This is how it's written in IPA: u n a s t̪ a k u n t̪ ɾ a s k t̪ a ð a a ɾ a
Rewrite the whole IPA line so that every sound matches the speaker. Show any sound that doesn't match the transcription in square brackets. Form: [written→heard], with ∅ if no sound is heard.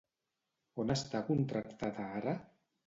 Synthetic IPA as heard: [u→o] n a s t̪ a k u n t̪ ɾ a [s→∅] k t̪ a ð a a ɾ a